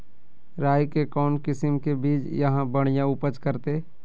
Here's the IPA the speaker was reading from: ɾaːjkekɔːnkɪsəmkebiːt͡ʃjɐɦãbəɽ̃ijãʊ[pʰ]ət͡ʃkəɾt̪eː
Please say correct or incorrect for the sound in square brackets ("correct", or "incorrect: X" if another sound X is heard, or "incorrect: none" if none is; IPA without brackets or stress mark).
incorrect: p